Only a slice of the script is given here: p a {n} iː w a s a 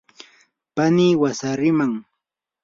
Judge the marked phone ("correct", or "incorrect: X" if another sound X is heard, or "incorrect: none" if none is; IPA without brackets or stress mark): correct